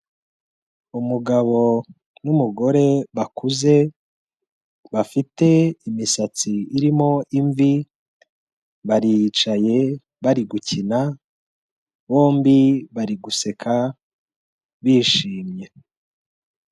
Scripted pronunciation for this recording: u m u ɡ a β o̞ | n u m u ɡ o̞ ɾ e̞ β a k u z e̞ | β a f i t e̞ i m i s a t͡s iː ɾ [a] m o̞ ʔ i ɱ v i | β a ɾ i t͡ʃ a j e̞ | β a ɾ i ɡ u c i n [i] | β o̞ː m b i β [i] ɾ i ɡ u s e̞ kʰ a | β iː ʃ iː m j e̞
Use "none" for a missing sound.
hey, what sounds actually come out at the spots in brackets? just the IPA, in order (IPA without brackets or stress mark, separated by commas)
i, a, a